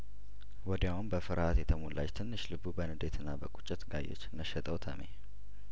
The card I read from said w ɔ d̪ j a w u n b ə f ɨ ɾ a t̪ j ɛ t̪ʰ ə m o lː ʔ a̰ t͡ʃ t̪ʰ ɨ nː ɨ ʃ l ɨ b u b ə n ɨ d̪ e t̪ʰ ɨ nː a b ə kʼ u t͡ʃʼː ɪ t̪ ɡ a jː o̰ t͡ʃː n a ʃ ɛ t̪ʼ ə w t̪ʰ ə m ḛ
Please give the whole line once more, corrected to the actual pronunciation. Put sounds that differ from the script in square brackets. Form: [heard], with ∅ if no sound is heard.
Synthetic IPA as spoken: w ɔ d̪ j a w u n b ə f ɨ ɾ a t̪ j ɛ t̪ʰ ə m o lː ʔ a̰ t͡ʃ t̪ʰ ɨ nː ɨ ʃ l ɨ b u b ə n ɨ d̪ e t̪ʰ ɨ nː a b ə kʼ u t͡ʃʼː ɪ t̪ ɡ a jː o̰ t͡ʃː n [ə] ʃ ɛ t̪ʼ ə w t̪ʰ ə m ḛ